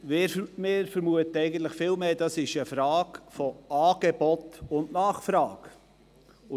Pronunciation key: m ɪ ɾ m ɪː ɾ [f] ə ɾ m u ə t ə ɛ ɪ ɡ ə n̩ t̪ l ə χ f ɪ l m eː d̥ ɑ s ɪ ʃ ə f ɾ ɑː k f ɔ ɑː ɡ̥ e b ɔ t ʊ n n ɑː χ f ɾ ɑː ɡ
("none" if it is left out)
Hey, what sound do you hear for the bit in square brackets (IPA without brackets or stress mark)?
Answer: f